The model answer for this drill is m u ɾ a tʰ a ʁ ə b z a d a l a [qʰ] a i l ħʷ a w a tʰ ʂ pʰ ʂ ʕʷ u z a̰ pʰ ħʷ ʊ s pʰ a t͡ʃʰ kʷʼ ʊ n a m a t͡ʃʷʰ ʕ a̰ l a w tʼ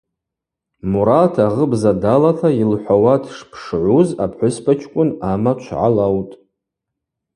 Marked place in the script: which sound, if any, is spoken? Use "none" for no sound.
tʰ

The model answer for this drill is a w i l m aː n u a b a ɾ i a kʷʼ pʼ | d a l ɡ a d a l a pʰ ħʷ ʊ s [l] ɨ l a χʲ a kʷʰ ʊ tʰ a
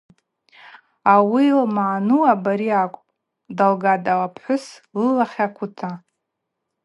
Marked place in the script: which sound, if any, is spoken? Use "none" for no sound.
l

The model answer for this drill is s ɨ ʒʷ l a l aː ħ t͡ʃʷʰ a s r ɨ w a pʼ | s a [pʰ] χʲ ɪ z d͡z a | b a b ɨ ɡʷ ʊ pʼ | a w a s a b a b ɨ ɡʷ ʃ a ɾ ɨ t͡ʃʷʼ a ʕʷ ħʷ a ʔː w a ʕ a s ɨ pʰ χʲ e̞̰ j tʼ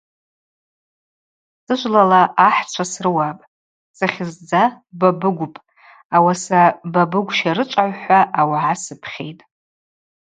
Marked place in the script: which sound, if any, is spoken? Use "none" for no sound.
none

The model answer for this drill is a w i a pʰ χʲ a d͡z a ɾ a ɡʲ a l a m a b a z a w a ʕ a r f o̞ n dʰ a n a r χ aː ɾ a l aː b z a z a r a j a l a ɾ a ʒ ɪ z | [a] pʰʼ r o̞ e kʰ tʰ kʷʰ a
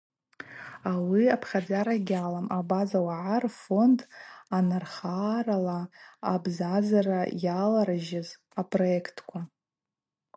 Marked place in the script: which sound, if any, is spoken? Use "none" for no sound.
a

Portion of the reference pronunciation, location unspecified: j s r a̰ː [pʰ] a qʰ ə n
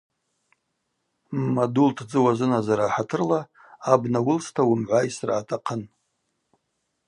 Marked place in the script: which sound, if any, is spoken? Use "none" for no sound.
tʰ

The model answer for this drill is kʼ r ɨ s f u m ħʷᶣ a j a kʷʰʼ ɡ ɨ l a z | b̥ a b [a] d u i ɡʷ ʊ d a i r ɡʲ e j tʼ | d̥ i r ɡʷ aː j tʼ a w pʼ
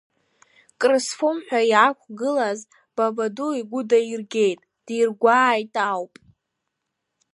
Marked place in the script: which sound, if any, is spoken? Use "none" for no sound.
a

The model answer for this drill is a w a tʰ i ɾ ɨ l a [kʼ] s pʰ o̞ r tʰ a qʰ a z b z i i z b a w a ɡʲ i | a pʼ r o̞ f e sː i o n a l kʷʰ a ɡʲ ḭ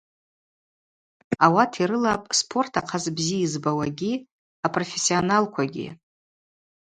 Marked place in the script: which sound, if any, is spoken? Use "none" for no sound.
pʼ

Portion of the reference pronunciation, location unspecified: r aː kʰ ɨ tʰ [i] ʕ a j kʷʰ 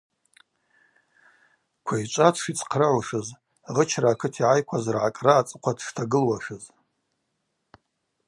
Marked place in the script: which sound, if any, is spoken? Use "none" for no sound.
i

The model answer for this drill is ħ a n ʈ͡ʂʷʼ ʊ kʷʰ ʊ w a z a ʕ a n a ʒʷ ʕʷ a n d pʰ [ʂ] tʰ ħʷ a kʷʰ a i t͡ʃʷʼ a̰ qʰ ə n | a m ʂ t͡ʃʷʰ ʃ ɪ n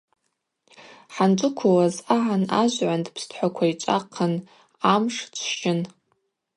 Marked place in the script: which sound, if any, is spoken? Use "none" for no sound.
s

